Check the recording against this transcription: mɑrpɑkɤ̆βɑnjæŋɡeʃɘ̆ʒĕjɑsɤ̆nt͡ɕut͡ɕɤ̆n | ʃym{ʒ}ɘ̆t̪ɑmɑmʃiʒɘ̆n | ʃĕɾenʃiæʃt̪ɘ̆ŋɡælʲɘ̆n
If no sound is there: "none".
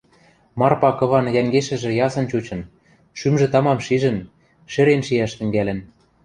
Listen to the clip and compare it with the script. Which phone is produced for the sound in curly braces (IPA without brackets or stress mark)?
ʒ